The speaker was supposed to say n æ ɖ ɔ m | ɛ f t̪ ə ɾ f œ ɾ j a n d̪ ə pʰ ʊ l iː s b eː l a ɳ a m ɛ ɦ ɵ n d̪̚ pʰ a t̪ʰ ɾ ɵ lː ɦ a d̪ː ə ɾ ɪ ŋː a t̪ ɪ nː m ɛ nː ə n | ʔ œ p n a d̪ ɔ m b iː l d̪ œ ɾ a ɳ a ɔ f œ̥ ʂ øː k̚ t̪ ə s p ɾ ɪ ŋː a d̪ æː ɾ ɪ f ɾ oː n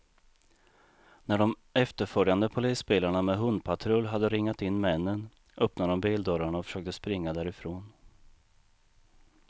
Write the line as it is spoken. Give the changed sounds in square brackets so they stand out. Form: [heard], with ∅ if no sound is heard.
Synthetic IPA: n æ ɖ ɔ m | ɛ f t̪ ə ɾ f œ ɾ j a n d̪ ə pʰ ʊ l iː s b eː l a ɳ a m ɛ ɦ ɵ n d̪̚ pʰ a t̪ʰ ɾ ɵ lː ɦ a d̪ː ə ɾ ɪ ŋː a t̪ ɪ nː m ɛ nː ə n | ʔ œ p n a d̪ ɔ m b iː l d̪ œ ɾ a ɳ a ɔ f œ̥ ʂ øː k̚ t̪ ə s p ɾ ɪ ŋː a d̪ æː ɾ ɪ f ɾ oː n